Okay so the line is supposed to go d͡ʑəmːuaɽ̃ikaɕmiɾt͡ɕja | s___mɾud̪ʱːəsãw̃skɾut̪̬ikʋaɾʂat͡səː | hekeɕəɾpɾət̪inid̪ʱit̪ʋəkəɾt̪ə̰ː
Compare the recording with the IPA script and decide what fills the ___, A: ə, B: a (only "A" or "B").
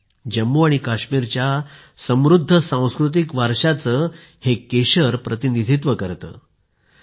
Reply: A